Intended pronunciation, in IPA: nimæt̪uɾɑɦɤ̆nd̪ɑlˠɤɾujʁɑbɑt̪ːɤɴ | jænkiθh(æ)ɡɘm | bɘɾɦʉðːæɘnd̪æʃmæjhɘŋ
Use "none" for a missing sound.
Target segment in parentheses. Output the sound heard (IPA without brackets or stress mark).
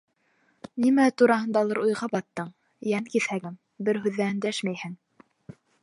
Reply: æ